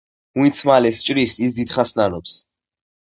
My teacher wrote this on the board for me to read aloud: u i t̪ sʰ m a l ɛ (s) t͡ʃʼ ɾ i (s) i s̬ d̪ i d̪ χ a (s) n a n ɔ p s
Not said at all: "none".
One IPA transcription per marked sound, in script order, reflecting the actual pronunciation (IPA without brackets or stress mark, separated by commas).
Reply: s, s, s